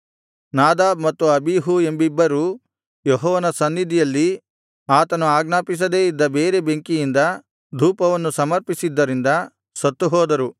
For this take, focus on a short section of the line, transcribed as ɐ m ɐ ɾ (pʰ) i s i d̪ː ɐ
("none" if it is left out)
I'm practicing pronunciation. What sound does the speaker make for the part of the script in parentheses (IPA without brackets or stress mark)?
p